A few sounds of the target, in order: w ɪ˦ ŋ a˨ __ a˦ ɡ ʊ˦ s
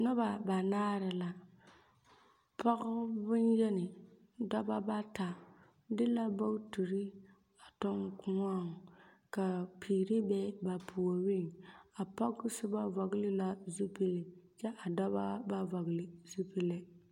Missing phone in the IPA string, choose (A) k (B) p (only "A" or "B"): B